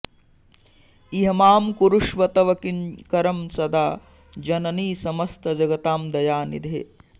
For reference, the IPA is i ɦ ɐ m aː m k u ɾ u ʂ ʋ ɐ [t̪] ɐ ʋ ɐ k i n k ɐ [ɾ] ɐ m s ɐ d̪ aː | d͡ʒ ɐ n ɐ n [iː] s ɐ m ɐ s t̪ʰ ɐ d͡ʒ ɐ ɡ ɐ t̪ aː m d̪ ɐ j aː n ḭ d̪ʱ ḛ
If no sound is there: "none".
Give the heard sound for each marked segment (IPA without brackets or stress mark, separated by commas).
t̪, ɾ, iː